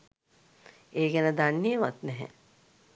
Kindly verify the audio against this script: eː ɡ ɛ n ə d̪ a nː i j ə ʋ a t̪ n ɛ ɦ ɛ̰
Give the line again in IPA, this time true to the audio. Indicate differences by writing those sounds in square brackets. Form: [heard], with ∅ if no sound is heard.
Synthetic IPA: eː ɡ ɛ n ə d̪ a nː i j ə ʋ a t̪ n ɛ ɦ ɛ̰